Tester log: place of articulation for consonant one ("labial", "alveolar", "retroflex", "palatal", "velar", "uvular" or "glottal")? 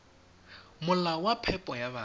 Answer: labial